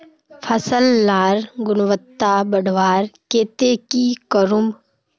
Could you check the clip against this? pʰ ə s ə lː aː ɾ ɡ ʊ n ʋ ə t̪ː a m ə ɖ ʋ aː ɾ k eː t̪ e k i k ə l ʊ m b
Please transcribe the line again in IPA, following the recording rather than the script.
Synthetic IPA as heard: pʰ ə s ə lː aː ɾ ɡ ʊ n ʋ ə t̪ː a b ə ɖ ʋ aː ɾ k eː t̪ e k i k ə ɾ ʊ m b